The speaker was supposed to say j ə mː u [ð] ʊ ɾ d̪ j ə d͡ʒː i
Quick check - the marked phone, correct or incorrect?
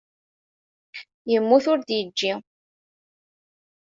incorrect